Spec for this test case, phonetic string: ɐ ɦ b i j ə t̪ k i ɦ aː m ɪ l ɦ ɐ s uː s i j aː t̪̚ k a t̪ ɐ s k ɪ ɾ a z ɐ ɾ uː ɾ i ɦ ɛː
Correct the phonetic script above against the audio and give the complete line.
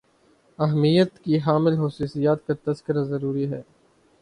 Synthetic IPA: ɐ ɦ m i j ə t̪ k i ɦ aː m ɪ l ɦ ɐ s uː s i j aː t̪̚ k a t̪ ɐ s k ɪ ɾ a z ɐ ɾ uː ɾ i ɦ ɛː

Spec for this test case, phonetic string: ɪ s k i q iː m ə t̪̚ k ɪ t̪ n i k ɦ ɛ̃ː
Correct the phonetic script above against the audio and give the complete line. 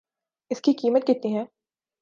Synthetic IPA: ɪ s k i k iː m ə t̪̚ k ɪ t̪ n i ɦ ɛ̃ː

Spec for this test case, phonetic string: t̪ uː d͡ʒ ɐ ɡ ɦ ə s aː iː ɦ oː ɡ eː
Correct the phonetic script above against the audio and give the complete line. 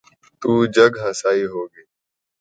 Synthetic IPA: t̪ uː d͡ʒ ə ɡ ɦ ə s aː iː ɦ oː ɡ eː

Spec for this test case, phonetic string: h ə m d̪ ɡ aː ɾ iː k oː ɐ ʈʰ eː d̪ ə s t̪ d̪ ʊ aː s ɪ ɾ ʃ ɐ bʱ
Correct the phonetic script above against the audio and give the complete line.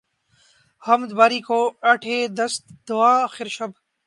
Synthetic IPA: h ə m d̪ b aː ɾ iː k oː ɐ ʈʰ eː d̪ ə s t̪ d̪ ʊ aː x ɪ ɾ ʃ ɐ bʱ

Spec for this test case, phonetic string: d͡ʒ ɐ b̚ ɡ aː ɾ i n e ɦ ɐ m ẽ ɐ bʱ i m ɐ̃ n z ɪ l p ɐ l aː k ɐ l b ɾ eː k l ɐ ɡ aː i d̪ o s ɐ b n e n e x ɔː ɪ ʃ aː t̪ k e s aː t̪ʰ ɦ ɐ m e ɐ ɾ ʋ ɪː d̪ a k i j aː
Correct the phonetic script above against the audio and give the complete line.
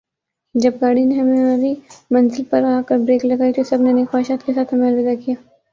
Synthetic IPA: d͡ʒ ɐ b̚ ɡ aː ɽ i n e ɦ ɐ m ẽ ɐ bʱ i m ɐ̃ n z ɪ l p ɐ ɾ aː k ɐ ɾ b ɾ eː k l ɐ ɡ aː i t̪ o s ɐ b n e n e x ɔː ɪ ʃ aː t̪ k e s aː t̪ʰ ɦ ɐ m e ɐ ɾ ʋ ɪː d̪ a k i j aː

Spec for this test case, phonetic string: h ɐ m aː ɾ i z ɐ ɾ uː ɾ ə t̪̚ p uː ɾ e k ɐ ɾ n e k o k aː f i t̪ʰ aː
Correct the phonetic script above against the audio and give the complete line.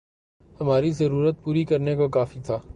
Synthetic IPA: h ɐ m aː ɾ i z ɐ ɾ uː ɾ ə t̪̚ p uː ɾ i k ɐ ɾ n e k o k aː f i t̪ʰ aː

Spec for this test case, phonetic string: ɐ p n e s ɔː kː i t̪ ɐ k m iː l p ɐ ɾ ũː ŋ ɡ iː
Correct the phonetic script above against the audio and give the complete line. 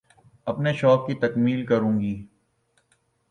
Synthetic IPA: ɐ p n e ʃ ɔː kː i t̪ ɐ k m iː l k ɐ ɾ ũː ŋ ɡ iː

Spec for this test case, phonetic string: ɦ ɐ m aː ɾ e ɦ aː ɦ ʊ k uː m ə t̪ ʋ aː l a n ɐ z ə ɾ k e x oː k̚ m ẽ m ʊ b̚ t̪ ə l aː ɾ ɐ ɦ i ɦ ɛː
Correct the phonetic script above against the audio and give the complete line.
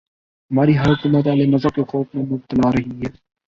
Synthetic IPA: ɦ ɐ m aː ɾ i ɦ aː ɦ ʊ k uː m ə t̪ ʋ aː l e n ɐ z ə ɾ k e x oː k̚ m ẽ m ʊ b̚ t̪ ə l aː ɾ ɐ ɦ i ɦ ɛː

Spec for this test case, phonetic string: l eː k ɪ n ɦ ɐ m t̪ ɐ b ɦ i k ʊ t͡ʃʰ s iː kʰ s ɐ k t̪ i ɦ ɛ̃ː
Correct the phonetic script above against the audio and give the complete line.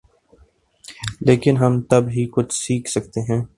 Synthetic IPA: l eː k ɪ n ɦ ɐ m t̪ ɐ b ɦ i k ʊ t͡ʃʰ s iː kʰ s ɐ k t̪ e ɦ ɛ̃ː

